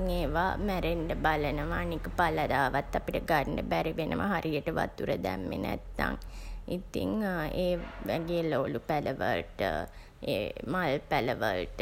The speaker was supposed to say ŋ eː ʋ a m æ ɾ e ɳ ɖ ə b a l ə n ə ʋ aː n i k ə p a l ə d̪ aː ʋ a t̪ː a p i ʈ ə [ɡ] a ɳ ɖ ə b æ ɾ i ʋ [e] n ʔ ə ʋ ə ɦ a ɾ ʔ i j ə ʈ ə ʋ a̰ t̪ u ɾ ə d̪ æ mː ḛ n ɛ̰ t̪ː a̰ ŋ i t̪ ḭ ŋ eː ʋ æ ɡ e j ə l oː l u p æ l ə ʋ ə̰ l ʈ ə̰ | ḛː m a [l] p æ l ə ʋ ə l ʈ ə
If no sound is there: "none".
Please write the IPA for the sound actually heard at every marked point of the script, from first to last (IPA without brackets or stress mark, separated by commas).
ɡ, e, l